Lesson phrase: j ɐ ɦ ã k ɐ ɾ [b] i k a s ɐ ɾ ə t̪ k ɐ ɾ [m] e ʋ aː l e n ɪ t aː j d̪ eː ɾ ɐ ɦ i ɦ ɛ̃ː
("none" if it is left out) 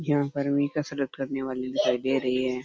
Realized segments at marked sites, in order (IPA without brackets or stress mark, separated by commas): m, n